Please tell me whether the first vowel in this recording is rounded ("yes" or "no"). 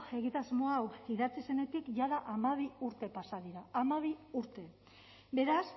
no